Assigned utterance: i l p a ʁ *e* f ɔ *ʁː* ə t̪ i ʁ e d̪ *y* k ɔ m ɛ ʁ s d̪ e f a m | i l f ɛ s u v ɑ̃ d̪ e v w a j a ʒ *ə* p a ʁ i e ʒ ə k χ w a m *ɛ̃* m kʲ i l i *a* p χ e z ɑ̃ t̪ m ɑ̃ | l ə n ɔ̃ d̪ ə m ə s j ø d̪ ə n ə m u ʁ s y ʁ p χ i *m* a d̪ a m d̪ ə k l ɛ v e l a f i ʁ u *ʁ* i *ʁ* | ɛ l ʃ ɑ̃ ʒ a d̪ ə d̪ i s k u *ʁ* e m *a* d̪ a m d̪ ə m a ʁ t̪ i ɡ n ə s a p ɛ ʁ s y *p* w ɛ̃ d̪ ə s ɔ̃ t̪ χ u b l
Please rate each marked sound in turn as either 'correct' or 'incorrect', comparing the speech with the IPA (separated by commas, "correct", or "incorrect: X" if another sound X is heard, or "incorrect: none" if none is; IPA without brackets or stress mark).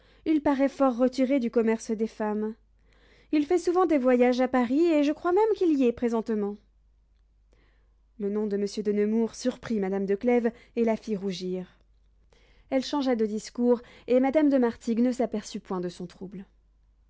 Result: incorrect: ɛ, correct, correct, incorrect: a, incorrect: ɛ, incorrect: ɛ, correct, incorrect: ʒ, correct, correct, correct, correct